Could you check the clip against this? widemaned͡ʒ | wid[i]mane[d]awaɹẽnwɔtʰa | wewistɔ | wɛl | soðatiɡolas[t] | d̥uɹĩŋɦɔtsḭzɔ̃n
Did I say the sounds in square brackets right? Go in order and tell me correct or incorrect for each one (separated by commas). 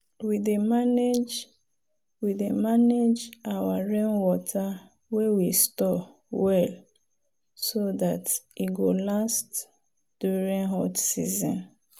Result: incorrect, incorrect, correct